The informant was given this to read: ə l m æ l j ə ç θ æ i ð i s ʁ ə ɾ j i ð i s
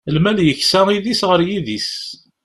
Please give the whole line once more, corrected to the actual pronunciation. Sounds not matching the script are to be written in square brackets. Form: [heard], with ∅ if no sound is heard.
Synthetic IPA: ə l m æ l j ə ç [s] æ i ð i s ʁ ə ɾ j i ð i s